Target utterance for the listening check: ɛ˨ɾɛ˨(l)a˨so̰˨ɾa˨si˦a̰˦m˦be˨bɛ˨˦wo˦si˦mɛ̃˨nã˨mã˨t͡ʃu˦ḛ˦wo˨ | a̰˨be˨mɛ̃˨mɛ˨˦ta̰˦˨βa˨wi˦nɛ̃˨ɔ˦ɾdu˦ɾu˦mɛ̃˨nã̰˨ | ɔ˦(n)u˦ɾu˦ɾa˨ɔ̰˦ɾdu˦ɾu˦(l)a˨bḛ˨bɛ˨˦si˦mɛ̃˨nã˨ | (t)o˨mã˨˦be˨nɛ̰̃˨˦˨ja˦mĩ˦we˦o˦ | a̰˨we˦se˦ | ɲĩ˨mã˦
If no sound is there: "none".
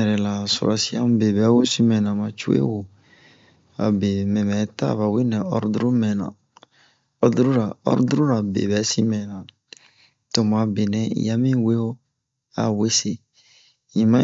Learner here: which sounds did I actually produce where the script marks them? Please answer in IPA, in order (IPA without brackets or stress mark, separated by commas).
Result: l, d, ɾ, t